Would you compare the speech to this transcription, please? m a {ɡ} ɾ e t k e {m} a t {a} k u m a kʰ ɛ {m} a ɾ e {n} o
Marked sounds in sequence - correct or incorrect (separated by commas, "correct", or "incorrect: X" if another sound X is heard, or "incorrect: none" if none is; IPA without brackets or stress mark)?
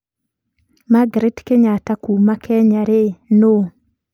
correct, incorrect: ɲ, correct, incorrect: ɲ, correct